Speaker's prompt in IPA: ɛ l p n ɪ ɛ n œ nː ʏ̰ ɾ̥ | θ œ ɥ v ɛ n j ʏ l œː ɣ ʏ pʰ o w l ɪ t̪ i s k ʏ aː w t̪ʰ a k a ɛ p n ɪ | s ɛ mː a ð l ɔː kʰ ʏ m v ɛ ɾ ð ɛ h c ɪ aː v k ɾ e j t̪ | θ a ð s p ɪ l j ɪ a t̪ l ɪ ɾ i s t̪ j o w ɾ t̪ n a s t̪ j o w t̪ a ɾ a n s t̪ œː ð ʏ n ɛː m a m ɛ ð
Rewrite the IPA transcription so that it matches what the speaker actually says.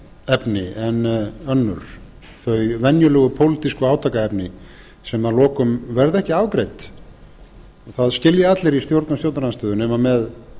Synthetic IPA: ɛ p n ɪ ɛ n œ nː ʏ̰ ɾ̥ | θ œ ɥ v ɛ n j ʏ l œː ɣ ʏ pʰ o w l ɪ t̪ i s k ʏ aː w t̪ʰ a k a ɛ p n ɪ | s ɛ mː a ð l ɔː k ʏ m v ɛ ɾ ð ɛ h c ɪ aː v k ɾ e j t̪ | θ a ð s c ɪ l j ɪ a t̪ l ɪ ɾ i s t̪ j o w ɾ t̪ n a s t̪ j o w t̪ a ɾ a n s t̪ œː ð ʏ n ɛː m a m ɛ ð